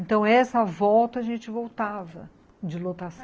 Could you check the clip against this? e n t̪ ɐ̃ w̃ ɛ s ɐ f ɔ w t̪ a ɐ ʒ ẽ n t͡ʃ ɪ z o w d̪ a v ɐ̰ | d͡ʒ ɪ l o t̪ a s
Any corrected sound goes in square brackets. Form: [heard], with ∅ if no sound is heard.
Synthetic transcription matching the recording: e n t̪ ɐ̃ w̃ ɛ s ɐ [v] ɔ w t̪ [ɐ] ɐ ʒ ẽ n t͡ʃ ɪ [v] o w [t̪] a v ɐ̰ | d͡ʒ ɪ l o t̪ a s